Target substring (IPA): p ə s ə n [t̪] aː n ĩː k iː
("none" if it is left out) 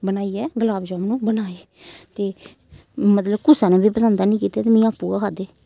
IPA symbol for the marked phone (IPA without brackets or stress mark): d̪